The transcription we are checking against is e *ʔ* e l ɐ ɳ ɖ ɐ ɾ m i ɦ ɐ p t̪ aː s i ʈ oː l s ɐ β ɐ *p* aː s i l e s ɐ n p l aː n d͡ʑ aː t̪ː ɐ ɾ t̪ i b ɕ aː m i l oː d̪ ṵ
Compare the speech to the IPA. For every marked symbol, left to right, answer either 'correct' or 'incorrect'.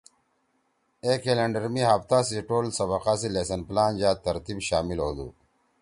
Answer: incorrect, incorrect

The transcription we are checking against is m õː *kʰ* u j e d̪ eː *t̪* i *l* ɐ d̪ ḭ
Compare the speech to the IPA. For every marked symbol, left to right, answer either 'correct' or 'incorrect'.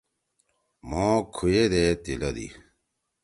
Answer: correct, correct, correct

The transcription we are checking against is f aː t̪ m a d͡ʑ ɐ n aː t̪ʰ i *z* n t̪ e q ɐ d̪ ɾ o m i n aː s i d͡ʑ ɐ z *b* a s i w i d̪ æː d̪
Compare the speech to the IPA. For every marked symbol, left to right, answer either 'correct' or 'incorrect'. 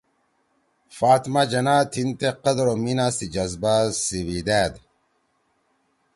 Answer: incorrect, correct

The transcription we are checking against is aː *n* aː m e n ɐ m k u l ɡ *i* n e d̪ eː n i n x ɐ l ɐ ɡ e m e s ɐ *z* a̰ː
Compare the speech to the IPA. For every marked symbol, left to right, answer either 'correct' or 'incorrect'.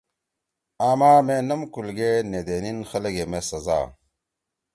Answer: incorrect, incorrect, correct

